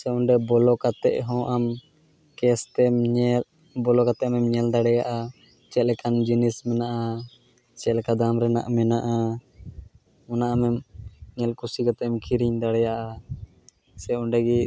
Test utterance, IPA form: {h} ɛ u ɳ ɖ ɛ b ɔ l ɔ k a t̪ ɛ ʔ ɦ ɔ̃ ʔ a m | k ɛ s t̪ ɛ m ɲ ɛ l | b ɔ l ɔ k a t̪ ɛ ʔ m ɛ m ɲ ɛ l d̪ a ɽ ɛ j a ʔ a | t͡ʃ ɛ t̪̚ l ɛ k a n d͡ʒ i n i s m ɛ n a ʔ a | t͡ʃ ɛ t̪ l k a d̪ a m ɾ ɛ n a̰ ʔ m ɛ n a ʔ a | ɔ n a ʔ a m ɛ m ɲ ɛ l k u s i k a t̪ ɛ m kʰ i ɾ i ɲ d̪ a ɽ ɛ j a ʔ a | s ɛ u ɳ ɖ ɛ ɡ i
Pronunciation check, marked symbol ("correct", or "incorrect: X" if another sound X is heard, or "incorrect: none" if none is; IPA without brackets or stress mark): incorrect: s